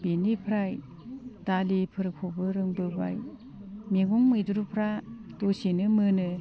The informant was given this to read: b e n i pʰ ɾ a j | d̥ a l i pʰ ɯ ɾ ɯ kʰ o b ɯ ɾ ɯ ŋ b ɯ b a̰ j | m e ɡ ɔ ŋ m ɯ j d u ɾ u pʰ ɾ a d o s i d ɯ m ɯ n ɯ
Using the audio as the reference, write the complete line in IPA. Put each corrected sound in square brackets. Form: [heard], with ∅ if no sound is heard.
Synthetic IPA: b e n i pʰ ɾ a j | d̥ a l i pʰ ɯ ɾ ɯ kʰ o b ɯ ɾ ɯ ŋ b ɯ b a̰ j | m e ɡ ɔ ŋ m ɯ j d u ɾ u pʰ ɾ a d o s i [n] ɯ m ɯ n ɯ